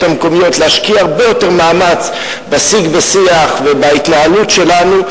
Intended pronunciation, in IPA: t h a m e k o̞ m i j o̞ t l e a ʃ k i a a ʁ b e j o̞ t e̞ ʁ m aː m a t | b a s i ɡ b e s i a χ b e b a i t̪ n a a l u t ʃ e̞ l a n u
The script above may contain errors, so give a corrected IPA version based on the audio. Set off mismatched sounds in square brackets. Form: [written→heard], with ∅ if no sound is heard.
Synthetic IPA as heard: t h a m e k o̞ m i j o̞ t l e a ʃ k i a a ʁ b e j o̞ t e̞ ʁ m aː m a [t→t͡s] | b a s i ɡ b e s i a χ [b→v] e b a i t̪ n a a l u t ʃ e̞ l a n u